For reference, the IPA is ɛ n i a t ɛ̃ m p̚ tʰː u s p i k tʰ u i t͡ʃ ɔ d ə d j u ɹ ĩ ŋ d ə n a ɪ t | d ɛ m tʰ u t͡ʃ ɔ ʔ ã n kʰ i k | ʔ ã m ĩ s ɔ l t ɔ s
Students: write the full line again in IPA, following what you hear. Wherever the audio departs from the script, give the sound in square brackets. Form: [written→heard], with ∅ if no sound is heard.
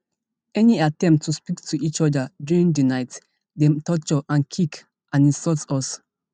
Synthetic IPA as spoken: ɛ n i a t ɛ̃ m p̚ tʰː u s p i k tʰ u i t͡ʃ ɔ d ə d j u ɹ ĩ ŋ d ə n a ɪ t | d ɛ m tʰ [u→ɔ] t͡ʃ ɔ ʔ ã n kʰ i k | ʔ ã [m→n] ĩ s ɔ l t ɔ s